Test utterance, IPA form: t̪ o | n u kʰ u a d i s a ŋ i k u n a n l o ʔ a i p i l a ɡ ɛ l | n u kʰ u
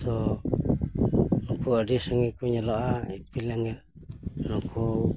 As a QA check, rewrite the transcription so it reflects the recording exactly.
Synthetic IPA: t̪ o | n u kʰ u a d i s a ŋ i k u ɲ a l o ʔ a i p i l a ŋ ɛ l | n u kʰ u